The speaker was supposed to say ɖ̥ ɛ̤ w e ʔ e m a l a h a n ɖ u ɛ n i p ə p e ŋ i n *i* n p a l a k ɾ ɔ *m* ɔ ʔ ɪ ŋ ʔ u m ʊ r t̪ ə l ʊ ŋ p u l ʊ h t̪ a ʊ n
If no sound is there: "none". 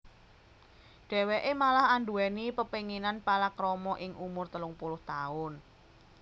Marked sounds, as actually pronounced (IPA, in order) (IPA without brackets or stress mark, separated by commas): a, m